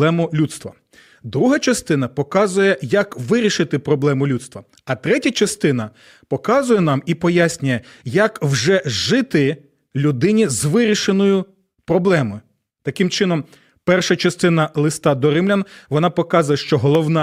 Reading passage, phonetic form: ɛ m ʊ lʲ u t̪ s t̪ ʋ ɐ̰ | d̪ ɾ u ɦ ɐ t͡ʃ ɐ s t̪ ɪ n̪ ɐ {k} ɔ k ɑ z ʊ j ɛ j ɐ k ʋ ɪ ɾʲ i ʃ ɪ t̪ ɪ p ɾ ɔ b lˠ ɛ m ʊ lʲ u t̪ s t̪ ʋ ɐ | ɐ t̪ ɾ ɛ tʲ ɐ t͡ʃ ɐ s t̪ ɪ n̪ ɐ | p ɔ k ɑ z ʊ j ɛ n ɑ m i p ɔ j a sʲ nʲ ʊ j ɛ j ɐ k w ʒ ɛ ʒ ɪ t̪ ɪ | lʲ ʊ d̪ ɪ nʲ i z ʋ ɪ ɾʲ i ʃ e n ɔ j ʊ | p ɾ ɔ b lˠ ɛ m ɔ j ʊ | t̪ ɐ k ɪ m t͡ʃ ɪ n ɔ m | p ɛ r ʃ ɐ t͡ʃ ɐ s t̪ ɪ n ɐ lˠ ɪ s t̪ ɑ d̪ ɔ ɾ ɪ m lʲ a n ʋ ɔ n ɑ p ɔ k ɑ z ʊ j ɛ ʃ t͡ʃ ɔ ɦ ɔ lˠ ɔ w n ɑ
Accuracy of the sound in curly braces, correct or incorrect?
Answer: incorrect